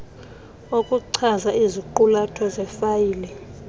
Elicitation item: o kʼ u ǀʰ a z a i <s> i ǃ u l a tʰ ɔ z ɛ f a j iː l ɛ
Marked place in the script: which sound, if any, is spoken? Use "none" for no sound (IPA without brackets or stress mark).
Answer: z